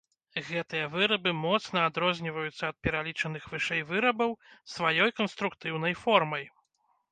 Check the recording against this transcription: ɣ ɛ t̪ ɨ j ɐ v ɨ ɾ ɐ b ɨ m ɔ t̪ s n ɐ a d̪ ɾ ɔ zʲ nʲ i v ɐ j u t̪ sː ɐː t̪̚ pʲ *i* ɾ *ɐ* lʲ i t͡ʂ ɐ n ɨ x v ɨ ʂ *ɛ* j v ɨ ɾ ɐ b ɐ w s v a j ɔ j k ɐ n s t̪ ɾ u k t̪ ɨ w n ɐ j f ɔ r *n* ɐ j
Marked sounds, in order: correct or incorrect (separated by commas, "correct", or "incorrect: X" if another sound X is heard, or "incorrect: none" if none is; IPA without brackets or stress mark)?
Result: incorrect: ɛ, incorrect: a, correct, incorrect: m